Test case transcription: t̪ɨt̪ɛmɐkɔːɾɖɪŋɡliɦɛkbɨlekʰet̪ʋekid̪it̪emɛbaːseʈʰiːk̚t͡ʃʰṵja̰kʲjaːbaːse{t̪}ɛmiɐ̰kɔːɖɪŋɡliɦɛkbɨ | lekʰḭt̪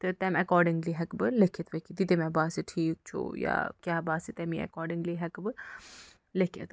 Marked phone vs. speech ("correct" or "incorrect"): correct